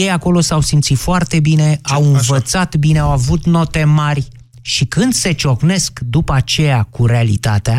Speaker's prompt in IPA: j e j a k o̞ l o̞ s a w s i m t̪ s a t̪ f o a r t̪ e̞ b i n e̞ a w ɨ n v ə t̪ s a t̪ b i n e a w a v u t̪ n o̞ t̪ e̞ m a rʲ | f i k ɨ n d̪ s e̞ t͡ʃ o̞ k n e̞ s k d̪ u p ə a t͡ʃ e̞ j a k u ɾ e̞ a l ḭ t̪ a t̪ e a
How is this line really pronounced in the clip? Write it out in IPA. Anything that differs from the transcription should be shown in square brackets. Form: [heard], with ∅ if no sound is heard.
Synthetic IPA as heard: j e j a k o̞ l o̞ s a w s i m t̪ s [i] t̪ f o a r t̪ e̞ b i n e̞ a w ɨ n v ə t̪ s a t̪ b i n e a w a v u t̪ n o̞ t̪ e̞ m a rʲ | [ʃ] i k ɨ n d̪ s e̞ t͡ʃ o̞ k n e̞ s k d̪ u p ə a t͡ʃ e̞ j a k u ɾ e̞ a l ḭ t̪ a t̪ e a